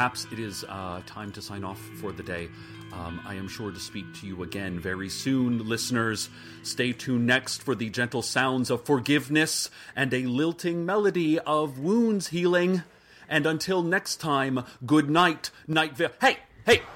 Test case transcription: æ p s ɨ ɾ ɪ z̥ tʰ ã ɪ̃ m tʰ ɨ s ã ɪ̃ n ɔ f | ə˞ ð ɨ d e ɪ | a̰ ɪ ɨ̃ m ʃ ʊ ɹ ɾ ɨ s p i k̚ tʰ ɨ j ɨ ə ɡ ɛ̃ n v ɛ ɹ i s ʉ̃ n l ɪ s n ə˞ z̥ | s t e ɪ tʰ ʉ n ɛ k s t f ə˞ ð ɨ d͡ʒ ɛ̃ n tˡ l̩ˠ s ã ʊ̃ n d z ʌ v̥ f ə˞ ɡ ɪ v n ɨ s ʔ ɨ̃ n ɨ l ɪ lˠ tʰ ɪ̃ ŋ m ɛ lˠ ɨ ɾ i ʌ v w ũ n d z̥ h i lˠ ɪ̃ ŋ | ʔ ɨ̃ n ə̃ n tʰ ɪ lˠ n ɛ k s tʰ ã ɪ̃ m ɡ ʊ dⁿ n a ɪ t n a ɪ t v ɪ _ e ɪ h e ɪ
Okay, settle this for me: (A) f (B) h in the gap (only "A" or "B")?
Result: B